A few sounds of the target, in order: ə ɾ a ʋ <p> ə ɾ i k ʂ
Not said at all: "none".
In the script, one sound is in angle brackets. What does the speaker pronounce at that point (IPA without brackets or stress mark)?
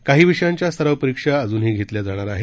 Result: p